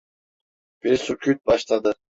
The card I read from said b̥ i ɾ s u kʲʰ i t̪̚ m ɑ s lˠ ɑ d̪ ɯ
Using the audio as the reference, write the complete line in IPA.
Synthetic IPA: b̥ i ɾ s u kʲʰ y t̪̚ b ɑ ʃ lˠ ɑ d̪ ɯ